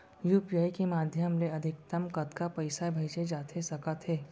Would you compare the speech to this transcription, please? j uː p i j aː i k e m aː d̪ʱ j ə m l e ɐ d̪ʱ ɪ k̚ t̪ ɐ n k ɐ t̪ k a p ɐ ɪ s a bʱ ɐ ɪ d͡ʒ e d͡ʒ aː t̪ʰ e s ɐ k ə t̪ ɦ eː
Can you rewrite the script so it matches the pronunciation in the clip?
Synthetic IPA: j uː p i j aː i k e m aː d̪ʱ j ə m l e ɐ d̪ʱ ɪ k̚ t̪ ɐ m k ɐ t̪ k a p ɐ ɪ s a bʱ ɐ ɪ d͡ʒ e d͡ʒ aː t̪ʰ e s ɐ k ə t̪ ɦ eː